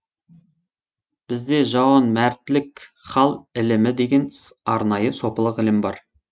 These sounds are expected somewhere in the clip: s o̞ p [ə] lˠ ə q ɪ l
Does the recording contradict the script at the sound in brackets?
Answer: no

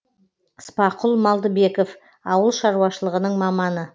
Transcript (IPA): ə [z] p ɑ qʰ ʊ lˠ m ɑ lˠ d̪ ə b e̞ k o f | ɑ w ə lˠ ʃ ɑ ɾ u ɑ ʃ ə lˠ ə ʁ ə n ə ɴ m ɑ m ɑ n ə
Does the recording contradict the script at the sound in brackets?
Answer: yes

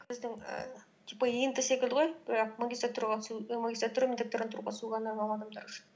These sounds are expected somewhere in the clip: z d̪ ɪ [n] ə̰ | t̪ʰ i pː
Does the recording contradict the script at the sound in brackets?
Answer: yes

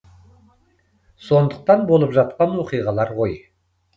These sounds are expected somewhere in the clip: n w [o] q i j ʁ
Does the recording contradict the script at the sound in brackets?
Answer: no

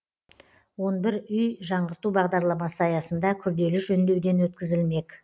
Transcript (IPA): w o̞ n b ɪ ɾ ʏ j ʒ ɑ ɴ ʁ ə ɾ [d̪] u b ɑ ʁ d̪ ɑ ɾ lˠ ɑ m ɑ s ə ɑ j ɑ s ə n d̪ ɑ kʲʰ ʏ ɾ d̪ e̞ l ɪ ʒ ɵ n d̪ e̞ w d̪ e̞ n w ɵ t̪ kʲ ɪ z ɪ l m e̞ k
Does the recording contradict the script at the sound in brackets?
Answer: yes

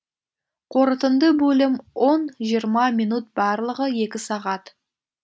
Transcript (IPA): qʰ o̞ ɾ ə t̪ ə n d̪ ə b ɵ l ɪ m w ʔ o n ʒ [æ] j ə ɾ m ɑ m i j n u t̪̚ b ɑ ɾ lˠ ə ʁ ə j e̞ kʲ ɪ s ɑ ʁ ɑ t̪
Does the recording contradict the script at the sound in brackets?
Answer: yes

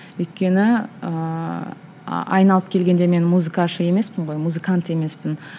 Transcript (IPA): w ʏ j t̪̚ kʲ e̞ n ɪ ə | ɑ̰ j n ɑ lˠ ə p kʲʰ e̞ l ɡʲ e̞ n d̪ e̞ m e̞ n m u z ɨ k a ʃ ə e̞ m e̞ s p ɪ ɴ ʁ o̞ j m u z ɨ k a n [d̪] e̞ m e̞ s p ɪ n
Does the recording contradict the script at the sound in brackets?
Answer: yes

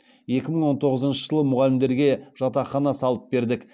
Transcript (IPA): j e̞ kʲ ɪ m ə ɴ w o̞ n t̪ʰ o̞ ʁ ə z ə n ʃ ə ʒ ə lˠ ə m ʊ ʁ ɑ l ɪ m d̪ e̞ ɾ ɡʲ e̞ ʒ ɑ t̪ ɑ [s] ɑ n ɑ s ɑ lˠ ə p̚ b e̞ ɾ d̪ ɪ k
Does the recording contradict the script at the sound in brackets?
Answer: yes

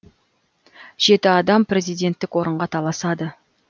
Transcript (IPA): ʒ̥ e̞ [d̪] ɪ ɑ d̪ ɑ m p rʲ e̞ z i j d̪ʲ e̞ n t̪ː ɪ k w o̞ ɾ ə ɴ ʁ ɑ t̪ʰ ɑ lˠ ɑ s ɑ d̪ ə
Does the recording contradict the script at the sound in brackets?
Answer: yes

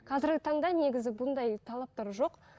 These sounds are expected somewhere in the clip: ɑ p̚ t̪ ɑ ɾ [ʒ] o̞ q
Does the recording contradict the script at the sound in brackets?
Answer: no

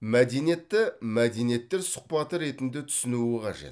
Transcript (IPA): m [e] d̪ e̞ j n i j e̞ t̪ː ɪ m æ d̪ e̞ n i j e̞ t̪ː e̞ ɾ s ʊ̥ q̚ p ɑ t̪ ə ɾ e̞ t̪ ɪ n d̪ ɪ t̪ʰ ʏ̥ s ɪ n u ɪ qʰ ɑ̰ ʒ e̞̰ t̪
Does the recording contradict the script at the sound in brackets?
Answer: yes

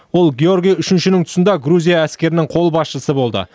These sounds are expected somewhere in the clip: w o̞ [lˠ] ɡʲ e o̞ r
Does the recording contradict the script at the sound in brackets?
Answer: no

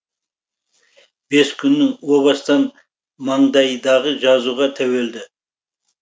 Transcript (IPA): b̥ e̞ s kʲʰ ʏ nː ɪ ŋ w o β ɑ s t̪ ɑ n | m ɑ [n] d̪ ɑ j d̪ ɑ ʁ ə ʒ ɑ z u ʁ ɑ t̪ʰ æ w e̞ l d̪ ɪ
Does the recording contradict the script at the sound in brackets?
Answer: yes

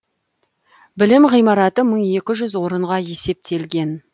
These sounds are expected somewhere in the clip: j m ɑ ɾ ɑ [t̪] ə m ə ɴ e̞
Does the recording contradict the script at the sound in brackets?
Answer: no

